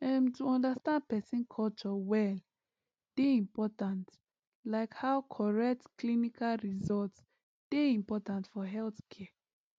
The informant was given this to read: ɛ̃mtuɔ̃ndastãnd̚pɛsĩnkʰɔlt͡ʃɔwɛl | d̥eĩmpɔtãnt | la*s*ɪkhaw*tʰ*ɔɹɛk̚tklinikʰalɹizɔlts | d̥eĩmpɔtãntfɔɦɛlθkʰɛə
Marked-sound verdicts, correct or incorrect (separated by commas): incorrect, incorrect